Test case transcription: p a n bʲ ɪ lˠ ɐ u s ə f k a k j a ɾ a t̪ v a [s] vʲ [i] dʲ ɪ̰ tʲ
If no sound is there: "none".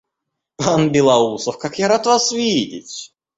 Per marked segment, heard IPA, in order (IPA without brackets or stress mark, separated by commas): s, i